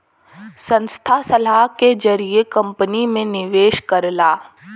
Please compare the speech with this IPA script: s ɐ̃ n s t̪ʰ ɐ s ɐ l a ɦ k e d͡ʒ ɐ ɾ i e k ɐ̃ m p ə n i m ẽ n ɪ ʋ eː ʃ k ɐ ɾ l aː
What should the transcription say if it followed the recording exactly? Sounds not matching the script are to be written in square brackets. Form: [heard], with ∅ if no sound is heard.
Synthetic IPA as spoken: s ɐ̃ n s t̪ʰ [a] s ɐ l a ɦ k e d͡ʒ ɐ ɾ i e k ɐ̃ m p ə n i m ẽ n ɪ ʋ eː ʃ k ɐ ɾ l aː